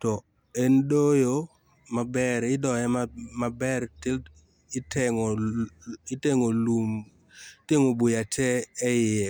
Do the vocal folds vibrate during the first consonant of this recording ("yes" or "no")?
no